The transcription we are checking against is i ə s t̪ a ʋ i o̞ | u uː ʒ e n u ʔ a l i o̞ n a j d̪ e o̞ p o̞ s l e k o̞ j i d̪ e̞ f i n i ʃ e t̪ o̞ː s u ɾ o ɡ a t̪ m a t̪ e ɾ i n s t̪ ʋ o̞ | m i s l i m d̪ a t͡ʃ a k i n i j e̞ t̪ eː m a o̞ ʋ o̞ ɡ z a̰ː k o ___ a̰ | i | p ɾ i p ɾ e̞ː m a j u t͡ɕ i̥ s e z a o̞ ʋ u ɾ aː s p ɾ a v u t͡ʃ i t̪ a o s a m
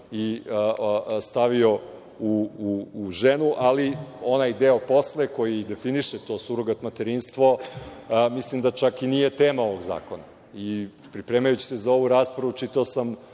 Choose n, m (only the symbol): n